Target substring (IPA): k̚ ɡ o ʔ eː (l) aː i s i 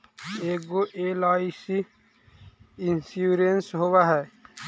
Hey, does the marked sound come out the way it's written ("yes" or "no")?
yes